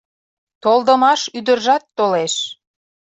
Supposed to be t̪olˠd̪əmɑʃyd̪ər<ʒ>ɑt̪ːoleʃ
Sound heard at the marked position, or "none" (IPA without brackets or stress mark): ʒ